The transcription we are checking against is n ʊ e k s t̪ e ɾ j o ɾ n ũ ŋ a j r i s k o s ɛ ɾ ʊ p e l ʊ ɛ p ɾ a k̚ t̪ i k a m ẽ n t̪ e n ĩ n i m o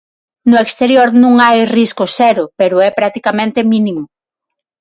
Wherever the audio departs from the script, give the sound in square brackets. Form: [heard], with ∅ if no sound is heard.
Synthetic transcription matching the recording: n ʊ e k s t̪ e ɾ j o ɾ n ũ ŋ a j r i s k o s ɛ ɾ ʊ p e [ɾ] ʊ ɛ p ɾ a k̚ t̪ i k a m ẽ n t̪ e [m] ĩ n i m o